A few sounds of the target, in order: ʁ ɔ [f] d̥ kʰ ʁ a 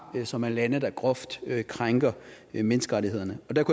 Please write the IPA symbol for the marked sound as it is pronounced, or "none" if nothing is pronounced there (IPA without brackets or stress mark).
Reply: f